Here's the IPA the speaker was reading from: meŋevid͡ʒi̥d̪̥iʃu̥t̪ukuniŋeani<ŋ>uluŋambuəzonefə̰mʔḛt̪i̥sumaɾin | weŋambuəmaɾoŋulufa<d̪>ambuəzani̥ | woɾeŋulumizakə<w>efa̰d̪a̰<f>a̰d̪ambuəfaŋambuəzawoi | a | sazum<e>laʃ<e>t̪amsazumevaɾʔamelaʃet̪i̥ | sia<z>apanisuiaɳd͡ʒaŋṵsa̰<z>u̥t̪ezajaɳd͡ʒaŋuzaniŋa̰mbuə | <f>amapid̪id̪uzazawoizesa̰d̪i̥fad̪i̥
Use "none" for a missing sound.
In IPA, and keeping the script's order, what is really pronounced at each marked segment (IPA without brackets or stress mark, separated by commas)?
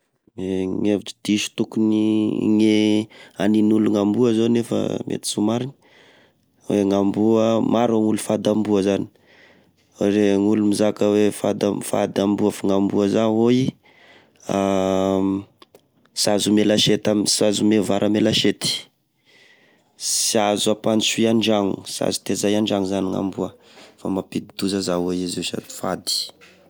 n, d̪, w, f, e, e, z, z, f